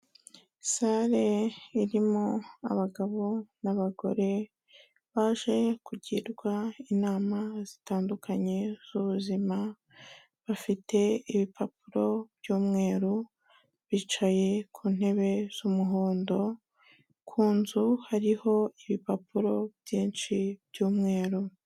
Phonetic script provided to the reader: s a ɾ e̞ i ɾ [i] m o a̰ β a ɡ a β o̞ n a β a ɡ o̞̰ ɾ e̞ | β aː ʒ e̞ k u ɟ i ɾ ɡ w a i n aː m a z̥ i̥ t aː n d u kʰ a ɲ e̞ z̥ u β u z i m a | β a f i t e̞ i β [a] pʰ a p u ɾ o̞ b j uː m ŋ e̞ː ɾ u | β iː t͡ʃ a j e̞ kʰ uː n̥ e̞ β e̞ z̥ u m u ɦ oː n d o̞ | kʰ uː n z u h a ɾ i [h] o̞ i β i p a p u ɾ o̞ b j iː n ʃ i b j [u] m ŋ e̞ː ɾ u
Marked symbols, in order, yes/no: yes, no, yes, no

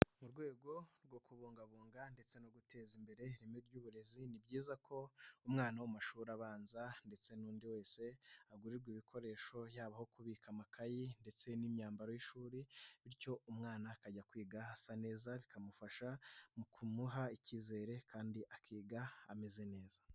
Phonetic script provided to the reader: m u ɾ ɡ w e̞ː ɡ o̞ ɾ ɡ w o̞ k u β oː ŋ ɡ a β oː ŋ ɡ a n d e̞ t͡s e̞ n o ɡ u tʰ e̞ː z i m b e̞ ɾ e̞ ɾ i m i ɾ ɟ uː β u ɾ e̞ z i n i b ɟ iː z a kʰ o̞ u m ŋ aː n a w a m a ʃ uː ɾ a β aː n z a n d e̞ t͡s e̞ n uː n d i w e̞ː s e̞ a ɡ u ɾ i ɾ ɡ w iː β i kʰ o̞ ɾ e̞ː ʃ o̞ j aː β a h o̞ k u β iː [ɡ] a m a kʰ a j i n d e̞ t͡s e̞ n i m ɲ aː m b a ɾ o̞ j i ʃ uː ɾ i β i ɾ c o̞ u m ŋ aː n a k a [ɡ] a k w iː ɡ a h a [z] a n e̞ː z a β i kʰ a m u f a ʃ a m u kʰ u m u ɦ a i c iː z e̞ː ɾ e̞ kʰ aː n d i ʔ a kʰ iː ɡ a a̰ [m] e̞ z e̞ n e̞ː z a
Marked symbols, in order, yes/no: no, no, no, yes

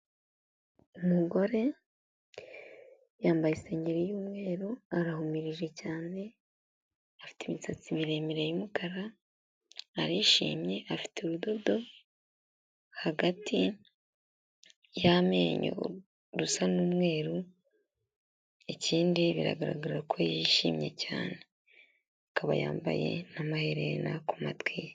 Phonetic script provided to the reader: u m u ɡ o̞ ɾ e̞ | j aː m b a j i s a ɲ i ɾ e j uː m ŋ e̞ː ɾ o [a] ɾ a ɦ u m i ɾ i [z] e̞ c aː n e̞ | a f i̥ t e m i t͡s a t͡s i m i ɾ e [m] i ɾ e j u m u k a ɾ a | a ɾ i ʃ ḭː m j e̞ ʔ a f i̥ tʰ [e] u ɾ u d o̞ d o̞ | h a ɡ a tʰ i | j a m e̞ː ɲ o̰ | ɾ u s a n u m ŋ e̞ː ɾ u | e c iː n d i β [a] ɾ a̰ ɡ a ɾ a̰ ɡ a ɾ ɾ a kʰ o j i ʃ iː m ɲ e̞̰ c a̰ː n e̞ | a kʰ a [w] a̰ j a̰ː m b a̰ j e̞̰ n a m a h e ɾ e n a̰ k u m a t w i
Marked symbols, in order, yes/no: yes, no, yes, yes, no, no

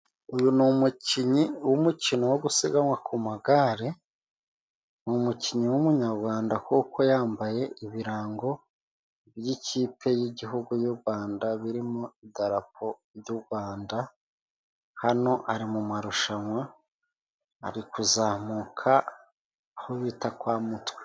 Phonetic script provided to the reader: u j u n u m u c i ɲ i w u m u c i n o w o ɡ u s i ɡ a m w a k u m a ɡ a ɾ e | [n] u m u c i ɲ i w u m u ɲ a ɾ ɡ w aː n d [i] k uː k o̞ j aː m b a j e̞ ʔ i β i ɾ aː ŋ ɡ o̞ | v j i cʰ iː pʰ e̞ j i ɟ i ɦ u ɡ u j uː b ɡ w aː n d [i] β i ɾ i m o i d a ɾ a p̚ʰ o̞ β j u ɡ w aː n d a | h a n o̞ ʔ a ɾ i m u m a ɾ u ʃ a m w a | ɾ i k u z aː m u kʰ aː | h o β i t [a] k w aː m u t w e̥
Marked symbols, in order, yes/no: yes, no, no, yes

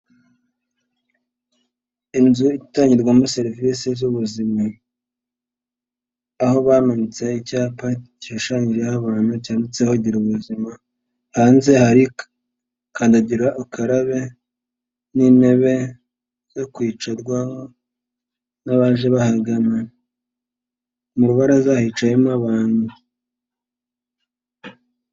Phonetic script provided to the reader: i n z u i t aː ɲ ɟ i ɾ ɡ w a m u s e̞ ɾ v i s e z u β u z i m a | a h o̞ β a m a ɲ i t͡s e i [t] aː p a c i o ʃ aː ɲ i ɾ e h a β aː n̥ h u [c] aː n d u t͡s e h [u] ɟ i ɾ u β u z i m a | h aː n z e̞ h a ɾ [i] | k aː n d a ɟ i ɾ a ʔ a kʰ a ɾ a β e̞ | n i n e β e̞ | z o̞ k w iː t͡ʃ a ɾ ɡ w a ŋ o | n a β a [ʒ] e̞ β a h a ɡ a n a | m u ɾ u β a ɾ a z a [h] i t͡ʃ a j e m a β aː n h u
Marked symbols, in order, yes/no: no, yes, no, yes, yes, yes

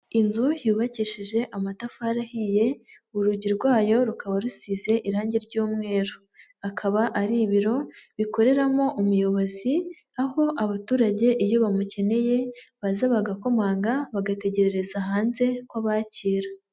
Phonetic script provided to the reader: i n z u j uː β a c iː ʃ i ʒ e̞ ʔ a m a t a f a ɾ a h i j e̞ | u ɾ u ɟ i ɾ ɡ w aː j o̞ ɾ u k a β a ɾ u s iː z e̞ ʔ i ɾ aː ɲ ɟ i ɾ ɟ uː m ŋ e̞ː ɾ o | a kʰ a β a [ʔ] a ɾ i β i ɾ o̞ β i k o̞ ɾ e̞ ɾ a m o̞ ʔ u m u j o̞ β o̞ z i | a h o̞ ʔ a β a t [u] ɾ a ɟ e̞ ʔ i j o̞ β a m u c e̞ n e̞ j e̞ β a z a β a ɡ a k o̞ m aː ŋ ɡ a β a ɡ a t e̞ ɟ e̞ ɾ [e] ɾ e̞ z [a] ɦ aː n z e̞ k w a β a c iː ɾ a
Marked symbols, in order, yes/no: yes, no, yes, yes

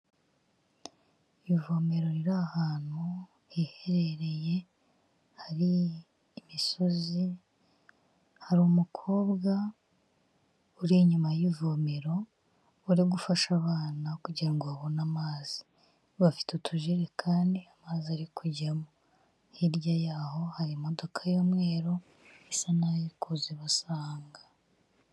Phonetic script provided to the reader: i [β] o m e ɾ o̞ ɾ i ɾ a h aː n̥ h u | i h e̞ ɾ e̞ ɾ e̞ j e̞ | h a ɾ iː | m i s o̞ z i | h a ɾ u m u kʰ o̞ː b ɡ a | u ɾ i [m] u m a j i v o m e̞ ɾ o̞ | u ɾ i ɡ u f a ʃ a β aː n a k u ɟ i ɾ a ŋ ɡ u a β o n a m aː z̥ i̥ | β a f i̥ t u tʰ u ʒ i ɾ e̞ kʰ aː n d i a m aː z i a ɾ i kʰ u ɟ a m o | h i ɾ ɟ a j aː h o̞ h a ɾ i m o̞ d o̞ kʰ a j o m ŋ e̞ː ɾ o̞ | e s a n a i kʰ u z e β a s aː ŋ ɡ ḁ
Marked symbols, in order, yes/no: no, no

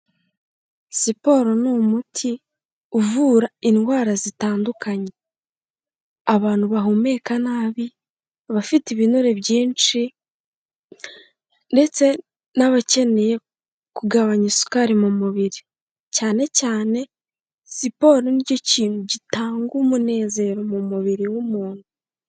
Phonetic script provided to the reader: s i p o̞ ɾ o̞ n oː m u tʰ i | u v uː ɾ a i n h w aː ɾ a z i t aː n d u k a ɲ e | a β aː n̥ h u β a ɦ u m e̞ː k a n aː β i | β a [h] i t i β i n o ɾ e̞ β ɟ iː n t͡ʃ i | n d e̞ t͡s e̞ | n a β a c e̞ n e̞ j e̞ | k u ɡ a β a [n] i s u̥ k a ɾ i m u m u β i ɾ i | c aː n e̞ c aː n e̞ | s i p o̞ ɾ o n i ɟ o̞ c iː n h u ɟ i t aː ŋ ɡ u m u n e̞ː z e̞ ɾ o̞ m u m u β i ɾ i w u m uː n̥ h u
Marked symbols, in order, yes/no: no, no

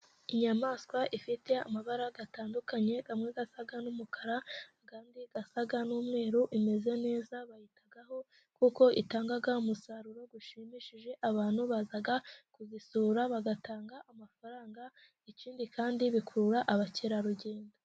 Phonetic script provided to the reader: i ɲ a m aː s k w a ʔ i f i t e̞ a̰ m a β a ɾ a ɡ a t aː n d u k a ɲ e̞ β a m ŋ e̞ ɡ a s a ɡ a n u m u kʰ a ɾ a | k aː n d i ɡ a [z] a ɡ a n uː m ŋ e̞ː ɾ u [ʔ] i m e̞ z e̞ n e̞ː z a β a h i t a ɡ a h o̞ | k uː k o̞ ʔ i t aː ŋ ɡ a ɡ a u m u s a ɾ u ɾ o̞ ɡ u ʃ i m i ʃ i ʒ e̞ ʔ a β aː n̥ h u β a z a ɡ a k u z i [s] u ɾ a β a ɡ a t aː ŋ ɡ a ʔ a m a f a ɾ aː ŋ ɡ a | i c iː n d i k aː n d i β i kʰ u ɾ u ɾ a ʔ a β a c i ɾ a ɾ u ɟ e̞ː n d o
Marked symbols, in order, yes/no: no, yes, yes

